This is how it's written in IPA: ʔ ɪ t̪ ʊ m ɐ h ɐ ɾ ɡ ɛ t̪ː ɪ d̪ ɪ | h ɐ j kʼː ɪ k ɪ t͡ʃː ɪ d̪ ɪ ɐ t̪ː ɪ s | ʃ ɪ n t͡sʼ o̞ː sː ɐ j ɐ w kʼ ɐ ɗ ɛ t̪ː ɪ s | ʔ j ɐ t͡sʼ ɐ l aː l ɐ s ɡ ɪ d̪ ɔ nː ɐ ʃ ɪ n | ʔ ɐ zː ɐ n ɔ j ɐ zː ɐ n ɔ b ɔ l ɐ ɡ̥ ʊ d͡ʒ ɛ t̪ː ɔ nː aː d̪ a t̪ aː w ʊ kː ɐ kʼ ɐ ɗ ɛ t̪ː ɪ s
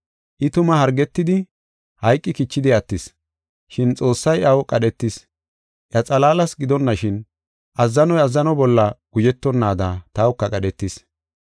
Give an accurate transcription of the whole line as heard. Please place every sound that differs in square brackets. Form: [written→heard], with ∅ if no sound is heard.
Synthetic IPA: ʔ ɪ t̪ ʊ m ɐ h ɐ ɾ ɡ ɛ t̪ː ɪ d̪ ɪ | h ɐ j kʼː ɪ k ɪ t͡ʃː ɪ d̪ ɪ ɐ t̪ː ɪ s | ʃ ɪ n t͡sʼ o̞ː sː ɐ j ɐ w kʼ ɐ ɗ ɛ t̪ː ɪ s | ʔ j ɐ t͡sʼ ɐ l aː l ɐ s ɡ ɪ d̪ ɔ nː ɐ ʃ ɪ n | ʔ ɐ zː ɐ n ɔ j ɐ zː ɐ n ɔ b ɔ [l→lː] ɐ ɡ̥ ʊ d͡ʒ ɛ t̪ː ɔ nː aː d̪ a t̪ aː w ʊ kː ɐ kʼ ɐ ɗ ɛ t̪ː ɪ s